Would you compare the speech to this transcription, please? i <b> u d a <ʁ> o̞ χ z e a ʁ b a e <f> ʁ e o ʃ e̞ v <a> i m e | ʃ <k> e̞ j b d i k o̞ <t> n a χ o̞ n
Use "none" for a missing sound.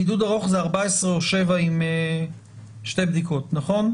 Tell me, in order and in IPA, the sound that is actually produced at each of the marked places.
d, ʁ, s, a, t, t

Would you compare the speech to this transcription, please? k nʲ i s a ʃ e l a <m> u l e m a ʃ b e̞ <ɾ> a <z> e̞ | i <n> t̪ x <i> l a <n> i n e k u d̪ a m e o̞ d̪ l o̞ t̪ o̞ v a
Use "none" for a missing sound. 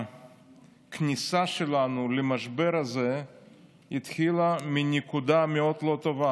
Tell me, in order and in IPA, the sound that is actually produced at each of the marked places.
n, ɾ, z, none, i, m

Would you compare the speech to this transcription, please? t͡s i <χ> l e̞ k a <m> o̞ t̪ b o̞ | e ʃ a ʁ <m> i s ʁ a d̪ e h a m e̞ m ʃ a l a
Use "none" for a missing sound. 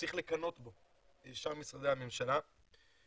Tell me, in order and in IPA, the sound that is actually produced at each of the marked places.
χ, n, m

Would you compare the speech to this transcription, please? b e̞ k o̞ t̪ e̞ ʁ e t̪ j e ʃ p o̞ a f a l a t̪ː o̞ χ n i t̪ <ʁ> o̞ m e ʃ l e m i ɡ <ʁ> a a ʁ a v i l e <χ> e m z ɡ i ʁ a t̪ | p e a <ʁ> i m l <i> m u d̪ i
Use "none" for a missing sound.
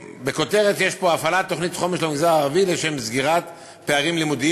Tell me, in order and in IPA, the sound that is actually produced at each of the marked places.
χ, z, ʃ, ʁ, i

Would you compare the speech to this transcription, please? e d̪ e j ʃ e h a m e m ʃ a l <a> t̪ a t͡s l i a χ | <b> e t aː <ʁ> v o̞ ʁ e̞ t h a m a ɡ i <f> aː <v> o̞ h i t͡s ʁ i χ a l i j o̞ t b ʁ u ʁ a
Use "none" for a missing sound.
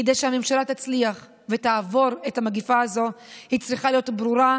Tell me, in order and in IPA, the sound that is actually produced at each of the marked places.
a, v, none, f, z

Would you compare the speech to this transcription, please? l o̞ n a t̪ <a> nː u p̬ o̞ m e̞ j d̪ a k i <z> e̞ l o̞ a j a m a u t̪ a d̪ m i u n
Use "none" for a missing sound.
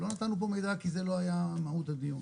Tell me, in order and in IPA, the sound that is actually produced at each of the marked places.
a, z

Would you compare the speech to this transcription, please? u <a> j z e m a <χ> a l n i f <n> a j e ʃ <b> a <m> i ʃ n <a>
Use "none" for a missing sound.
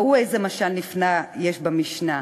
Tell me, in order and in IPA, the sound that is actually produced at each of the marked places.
e, ʃ, n, b, m, a

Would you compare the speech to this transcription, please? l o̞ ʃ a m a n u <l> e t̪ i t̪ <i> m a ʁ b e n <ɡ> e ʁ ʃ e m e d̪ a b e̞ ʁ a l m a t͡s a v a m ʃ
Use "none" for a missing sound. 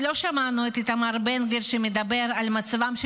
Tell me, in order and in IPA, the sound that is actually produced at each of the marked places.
none, a, ɡ

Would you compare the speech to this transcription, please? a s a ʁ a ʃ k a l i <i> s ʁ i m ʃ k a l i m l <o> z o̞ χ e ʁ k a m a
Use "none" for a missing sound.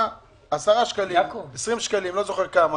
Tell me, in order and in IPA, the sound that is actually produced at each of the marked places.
e, o

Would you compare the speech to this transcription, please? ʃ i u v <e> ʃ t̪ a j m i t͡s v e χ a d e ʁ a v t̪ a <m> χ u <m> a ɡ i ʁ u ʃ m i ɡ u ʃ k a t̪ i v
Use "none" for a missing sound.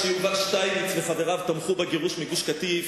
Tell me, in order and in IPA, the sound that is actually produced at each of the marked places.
a, m, b

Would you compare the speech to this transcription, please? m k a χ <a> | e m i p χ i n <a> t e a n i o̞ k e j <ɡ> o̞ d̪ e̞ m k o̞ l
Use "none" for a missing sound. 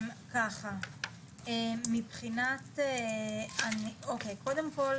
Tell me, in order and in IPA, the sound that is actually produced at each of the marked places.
a, a, k

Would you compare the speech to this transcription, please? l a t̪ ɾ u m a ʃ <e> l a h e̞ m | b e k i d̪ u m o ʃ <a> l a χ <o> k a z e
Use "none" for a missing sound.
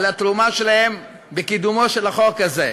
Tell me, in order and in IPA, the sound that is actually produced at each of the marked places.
e, e, o

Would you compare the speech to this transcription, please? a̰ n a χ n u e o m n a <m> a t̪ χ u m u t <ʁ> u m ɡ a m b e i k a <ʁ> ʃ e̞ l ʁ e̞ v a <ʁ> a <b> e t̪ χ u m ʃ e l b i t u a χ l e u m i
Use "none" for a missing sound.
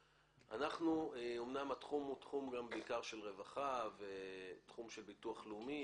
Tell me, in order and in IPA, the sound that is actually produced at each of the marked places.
m, χ, ʁ, χ, v

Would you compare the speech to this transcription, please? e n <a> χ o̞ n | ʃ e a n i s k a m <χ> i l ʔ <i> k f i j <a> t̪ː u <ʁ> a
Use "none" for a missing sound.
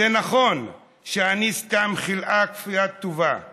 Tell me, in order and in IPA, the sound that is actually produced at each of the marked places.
a, χ, a, a, v

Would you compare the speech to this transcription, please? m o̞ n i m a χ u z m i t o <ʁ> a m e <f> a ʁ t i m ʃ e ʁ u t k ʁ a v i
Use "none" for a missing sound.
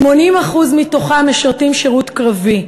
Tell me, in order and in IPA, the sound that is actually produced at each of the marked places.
χ, ʃ

